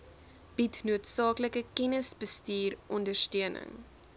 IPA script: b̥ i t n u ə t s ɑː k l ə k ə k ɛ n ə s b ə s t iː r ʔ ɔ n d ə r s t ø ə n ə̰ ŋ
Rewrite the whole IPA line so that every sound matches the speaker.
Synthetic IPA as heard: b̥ i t n u ə t s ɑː k l ə k ə k ɛ n ə s b ə s t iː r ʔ ɔ n d ə r s t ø ə n ə̰ ŋ